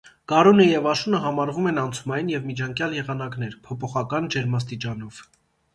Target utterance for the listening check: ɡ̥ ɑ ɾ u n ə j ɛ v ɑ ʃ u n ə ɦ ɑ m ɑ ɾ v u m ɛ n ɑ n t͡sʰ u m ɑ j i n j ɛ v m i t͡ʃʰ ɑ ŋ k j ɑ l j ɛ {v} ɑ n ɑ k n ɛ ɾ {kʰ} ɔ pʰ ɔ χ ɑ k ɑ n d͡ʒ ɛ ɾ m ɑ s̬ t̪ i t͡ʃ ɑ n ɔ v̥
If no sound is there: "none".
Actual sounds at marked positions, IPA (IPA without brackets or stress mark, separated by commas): ʁ, pʰ